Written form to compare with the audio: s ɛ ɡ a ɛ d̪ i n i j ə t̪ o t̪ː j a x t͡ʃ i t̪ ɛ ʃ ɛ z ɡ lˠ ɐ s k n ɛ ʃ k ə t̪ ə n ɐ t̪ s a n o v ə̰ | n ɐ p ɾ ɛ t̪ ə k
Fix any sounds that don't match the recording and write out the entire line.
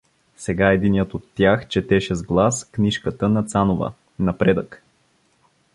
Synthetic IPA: s ɛ ɡ a ɛ d̪ i n i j ə t̪ o t̪ː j a x t͡ʃ ɛ t̪ ɛ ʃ ɛ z ɡ lˠ a s k n i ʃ k ə t̪ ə n ɐ t̪ s a n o v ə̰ | n ɐ p ɾ ɛ d̪ ə k